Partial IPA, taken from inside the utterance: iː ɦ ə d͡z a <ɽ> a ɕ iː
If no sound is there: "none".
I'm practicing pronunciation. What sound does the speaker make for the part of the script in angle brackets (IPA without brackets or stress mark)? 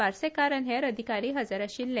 ɾ